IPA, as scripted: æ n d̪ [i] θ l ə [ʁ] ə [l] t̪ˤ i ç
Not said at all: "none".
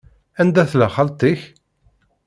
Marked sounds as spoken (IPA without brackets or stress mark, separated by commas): æ, χ, l